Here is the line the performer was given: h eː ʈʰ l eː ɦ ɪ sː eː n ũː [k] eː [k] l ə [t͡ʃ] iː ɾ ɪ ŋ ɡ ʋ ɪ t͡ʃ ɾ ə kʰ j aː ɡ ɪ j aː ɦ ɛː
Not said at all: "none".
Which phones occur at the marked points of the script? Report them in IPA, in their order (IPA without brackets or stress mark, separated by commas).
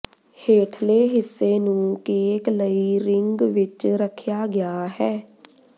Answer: k, k, none